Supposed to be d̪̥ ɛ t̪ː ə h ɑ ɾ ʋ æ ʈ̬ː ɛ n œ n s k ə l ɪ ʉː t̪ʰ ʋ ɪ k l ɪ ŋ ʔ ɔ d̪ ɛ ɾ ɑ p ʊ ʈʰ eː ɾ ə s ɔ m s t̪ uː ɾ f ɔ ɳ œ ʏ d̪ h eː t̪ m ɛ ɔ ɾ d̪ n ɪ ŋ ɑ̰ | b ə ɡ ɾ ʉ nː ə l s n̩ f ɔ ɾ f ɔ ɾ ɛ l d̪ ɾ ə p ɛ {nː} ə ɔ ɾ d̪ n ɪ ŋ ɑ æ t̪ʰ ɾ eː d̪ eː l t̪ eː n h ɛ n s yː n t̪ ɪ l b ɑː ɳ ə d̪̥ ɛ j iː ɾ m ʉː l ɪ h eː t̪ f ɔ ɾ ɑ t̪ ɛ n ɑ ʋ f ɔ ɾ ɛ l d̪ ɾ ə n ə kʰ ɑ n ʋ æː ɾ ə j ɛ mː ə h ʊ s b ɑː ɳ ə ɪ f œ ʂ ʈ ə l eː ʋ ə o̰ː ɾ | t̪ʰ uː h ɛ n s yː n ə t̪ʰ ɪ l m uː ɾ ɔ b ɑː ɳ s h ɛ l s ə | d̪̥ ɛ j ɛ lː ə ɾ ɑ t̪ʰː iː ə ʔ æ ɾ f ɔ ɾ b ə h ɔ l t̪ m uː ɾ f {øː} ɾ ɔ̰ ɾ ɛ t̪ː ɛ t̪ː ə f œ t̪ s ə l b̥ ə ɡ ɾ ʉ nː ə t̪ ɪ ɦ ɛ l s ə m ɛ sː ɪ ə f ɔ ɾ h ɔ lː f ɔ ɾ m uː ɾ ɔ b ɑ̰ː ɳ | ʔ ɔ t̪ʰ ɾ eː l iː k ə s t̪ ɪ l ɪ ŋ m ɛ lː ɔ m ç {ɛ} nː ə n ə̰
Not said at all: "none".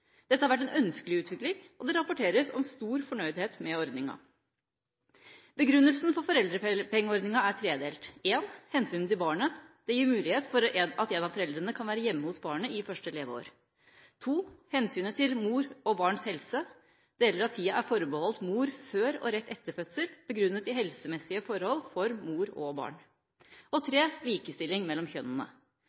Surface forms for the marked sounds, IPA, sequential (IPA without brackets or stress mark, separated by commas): ŋː, øː, œ